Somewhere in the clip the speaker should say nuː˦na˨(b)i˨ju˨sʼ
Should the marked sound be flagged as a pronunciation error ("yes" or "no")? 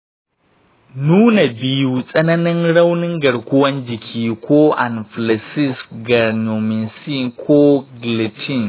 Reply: no